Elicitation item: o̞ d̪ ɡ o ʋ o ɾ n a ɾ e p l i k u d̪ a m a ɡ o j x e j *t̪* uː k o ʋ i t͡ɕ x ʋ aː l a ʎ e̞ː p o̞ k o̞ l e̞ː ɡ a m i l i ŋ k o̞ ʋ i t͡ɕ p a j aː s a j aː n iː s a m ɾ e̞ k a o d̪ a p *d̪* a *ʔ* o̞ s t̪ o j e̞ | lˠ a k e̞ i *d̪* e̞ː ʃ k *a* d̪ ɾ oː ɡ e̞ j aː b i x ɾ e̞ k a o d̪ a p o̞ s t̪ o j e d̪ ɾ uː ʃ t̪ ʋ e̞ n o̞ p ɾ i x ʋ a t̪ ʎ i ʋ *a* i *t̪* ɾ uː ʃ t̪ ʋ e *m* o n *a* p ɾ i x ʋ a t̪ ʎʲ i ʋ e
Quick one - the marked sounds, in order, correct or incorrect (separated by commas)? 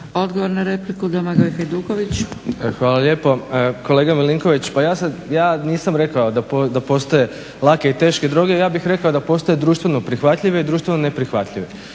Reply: incorrect, correct, incorrect, incorrect, incorrect, incorrect, incorrect, incorrect, incorrect